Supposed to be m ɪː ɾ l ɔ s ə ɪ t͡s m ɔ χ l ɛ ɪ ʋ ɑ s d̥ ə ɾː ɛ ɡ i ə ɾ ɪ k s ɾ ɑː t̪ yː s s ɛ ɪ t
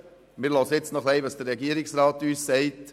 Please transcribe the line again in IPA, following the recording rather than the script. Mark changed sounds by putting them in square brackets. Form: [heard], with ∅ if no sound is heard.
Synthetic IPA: m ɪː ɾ l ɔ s ə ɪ t͡s [n] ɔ χ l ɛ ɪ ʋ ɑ s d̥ ə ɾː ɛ ɡ i ə ɾ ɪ k s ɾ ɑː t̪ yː s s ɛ ɪ t